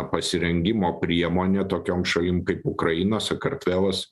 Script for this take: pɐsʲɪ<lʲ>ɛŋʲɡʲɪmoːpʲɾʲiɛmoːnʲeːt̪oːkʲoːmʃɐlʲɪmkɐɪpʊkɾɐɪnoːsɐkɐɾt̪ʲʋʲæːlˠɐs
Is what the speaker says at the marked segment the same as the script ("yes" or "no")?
no